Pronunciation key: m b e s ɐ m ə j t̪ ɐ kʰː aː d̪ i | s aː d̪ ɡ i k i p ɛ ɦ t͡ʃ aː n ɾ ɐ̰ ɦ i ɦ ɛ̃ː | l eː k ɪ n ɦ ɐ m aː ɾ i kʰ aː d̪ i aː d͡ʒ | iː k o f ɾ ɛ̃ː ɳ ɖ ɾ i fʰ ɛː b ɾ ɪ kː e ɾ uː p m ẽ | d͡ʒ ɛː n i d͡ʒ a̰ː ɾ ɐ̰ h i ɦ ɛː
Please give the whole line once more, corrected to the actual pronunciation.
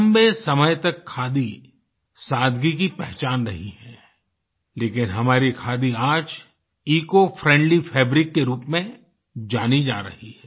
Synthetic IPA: m b e s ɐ m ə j t̪ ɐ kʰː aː d̪ i | s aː d̪ ɡ i k i p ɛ ɦ t͡ʃ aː n ɾ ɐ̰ ɦ i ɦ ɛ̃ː | l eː k ɪ n ɦ ɐ m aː ɾ i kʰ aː d̪ i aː d͡ʒ | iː k o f ɾ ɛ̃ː ɳ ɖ l i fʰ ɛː b ɾ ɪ kː e ɾ uː p m ẽ | d͡ʒ aː n i d͡ʒ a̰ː ɾ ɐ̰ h i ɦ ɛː

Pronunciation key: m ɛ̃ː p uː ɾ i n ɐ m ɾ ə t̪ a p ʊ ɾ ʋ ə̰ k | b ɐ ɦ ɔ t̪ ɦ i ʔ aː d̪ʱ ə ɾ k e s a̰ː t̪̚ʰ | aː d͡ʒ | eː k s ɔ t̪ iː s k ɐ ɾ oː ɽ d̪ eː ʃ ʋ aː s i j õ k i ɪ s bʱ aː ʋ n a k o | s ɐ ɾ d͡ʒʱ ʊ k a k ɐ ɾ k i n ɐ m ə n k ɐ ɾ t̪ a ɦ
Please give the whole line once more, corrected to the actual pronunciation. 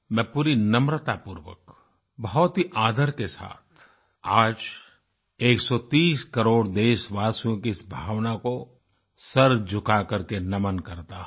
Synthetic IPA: m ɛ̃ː p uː ɾ i n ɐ m ɾ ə t̪ a p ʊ ɾ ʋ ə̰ k | b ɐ ɦ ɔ t̪ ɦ i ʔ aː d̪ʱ ə ɾ k e s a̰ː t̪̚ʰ | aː d͡ʒ | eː k s ɔ t̪ iː s k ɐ ɾ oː ɽ d̪ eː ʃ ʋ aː s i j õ k i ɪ s bʱ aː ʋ n a k o | s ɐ ɾ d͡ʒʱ ʊ k a k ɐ ɾ k e n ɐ m ə n k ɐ ɾ t̪ a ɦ

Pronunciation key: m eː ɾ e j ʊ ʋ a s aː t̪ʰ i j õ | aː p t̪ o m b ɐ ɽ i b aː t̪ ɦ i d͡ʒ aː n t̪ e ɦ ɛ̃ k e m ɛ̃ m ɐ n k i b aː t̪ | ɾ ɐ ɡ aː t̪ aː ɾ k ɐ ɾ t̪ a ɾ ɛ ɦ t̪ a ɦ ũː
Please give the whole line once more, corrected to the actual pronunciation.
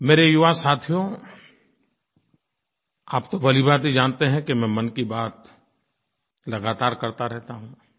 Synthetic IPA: m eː ɾ e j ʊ ʋ a s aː t̪ʰ i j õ | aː p t̪ o b ɐ l i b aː t̪ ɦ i d͡ʒ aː n t̪ e ɦ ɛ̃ k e m ɛ̃ m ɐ n k i b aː t̪ | l ɐ ɡ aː t̪ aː ɾ k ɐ ɾ t̪ a ɾ ɛ ɦ t̪ a ɦ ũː

